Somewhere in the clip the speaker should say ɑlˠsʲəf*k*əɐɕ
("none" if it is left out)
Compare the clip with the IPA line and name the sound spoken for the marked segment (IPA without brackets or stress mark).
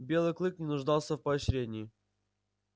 p